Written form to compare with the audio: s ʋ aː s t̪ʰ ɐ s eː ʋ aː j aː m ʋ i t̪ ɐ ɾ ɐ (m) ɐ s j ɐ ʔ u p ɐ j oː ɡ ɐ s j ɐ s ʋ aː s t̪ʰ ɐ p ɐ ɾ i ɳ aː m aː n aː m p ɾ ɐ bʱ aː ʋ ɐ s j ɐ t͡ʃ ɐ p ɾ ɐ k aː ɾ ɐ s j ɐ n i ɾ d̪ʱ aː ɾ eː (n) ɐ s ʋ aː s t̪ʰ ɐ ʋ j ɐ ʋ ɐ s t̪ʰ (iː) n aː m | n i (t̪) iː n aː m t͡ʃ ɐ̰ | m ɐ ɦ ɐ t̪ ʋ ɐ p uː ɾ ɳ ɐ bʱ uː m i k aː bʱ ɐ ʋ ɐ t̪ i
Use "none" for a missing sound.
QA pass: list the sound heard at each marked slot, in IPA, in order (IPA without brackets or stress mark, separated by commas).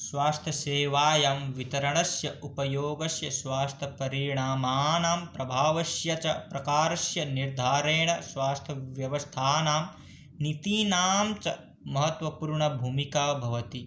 ɳ, ɳ, aː, t̪